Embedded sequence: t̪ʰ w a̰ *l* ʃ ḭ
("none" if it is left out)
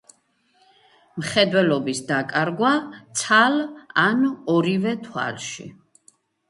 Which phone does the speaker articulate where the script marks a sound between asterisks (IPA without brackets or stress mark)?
l